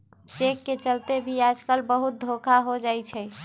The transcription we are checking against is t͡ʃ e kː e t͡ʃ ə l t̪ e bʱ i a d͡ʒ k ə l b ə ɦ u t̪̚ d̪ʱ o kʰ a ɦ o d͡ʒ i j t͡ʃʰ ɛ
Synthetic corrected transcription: t͡ʃ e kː e t͡ʃ ə l t̪ e bʱ i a d͡ʒ k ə l b ə ɦ u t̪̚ d̪ʱ o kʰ a ɦ o d͡ʒ a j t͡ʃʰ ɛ